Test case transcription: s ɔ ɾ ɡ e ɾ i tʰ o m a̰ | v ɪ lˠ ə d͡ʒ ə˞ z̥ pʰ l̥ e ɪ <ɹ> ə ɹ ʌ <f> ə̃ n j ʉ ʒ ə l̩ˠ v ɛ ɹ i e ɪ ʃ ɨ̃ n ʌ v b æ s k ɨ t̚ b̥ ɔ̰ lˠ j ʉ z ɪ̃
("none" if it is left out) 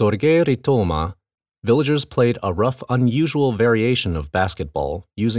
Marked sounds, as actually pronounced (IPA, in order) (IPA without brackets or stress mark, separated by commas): ɾ, f